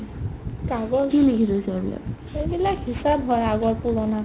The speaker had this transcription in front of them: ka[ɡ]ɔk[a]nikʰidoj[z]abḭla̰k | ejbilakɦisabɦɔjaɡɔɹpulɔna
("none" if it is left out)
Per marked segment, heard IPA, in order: ɡ, i, s

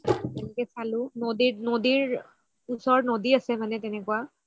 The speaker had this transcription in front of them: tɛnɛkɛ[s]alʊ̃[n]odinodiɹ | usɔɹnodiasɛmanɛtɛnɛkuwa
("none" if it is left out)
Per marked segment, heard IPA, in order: s, n

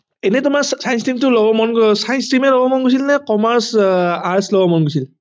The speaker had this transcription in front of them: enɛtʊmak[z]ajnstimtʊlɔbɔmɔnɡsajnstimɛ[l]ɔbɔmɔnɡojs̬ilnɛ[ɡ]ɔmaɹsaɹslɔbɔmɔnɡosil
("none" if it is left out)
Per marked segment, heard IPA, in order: s, l, k

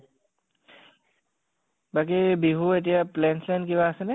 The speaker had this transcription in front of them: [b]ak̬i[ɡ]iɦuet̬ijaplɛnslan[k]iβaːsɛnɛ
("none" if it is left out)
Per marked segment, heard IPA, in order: b, b, k

